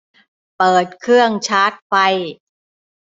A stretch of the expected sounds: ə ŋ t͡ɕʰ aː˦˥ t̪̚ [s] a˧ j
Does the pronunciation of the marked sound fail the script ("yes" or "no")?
yes